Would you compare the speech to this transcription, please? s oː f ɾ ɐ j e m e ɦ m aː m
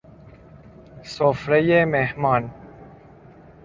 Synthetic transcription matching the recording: s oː f ɾ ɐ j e m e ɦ m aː n